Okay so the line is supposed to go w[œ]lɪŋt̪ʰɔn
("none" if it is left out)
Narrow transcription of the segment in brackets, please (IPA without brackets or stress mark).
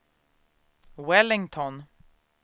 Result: ɛ